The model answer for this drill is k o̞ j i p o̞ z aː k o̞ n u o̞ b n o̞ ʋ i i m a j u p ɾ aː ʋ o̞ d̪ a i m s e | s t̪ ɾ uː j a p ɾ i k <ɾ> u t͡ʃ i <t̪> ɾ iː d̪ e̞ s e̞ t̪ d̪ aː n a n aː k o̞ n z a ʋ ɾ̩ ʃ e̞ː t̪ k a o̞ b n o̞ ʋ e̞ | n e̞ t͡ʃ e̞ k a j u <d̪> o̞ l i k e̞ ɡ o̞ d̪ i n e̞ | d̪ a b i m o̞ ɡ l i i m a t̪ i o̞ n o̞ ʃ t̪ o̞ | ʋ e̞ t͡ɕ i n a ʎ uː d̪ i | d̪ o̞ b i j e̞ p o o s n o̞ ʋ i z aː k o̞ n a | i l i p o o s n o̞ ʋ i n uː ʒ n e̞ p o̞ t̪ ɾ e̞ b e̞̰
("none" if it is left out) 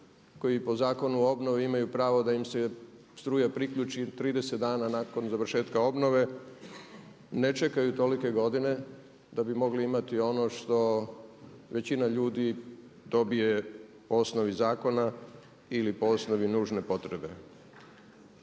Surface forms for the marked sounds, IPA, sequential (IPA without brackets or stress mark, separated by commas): ʎ, t̪, t̪